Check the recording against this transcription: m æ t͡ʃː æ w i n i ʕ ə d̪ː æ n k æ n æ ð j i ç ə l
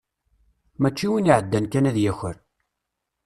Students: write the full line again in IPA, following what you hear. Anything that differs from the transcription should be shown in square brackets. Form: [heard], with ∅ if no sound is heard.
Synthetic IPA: m æ t͡ʃː [i] w i n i ʕ ə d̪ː æ n k æ n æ ð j [æ] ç ə [ɾ]